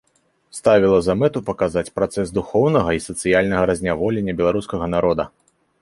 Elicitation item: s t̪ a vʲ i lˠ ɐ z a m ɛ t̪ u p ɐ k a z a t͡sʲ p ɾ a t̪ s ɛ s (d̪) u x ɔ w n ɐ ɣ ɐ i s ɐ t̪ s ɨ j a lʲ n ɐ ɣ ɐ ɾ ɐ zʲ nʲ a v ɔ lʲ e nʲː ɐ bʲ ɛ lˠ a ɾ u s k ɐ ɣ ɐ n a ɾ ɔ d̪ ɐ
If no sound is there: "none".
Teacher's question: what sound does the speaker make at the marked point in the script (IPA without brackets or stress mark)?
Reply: d̪